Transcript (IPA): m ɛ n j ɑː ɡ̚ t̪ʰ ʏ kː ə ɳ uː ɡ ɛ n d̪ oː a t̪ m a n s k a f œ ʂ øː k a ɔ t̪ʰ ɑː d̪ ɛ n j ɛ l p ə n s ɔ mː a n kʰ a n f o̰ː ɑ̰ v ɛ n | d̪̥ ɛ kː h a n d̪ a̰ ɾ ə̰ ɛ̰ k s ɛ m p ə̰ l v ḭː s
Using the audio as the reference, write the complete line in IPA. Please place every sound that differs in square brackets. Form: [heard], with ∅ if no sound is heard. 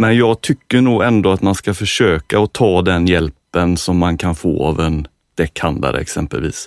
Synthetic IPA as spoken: m ɛ n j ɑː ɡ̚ t̪ʰ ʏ kː ə ɳ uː ɡ ɛ n d̪ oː a t̪ m a n s k a f œ ʂ øː k a ɔ t̪ʰ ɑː d̪ ɛ n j ɛ l p ə n s ɔ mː a n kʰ a n f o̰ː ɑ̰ v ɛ n | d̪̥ ɛ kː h a n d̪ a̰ ɾ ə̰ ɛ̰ k s ɛ m p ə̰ l v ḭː s